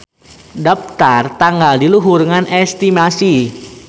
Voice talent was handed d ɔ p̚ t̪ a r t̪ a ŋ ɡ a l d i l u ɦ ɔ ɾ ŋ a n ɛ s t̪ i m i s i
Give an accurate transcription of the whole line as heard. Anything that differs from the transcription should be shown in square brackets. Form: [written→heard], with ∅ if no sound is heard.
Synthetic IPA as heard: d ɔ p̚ t̪ a r t̪ a ŋ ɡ a l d i l u ɦ [ɔ→u] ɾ ŋ a n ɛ s t̪ i m [i→a] s i